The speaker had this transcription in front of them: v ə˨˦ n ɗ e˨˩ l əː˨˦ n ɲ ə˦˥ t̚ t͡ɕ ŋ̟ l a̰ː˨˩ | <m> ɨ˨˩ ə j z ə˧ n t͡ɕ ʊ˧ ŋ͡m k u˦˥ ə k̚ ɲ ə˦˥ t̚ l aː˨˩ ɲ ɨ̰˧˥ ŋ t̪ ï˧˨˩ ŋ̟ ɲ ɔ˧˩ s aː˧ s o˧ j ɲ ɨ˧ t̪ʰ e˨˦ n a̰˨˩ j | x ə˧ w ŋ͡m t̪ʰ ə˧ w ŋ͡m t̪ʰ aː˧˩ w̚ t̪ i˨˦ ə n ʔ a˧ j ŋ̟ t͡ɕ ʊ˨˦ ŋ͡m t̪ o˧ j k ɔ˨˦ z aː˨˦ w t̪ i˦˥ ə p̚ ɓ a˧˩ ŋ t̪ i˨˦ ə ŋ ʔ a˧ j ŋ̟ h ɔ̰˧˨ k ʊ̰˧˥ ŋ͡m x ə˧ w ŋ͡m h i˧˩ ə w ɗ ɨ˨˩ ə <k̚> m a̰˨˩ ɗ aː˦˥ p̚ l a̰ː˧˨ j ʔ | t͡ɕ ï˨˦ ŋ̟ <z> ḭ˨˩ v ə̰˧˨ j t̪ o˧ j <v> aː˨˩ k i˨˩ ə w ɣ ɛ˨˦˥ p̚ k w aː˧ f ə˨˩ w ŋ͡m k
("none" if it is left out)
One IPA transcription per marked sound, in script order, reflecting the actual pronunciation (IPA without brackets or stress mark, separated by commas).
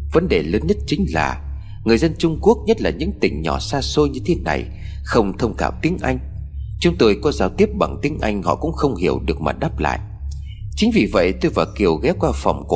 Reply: ŋ, k̚, v, v